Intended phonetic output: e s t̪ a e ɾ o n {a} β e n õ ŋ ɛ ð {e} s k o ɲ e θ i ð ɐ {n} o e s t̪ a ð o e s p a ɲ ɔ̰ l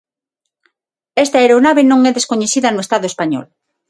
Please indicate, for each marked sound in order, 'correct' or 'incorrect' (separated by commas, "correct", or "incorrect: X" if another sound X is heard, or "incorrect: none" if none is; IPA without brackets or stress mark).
correct, correct, correct